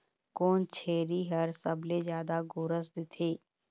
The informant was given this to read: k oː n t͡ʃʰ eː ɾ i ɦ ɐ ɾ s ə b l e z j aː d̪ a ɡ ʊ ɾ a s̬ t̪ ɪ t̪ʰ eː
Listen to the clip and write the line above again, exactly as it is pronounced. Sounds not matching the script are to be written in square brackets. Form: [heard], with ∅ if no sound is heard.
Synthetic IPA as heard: k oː n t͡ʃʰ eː ɾ i ɦ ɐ ɾ s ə b l e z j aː d̪ a ɡ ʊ ɾ [ə] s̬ [d̪] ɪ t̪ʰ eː

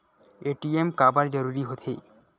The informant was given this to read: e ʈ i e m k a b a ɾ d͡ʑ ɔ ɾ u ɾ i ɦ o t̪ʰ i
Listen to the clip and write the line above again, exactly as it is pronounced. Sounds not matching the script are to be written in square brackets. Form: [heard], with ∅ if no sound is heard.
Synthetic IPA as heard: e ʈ i e m k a b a ɾ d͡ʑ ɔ ɾ u ɾ i ɦ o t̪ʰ [e]

